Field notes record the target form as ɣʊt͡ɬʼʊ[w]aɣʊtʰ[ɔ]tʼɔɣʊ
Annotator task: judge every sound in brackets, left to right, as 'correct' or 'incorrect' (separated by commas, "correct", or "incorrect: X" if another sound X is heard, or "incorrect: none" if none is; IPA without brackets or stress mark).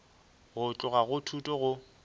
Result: incorrect: ɣ, incorrect: u